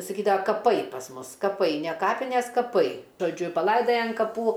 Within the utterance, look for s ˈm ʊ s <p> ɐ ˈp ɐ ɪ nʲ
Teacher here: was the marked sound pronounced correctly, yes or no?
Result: no